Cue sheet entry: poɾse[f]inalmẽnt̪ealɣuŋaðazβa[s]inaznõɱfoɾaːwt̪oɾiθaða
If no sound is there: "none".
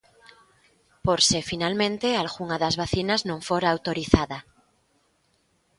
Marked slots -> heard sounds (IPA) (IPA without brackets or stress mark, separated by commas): f, θ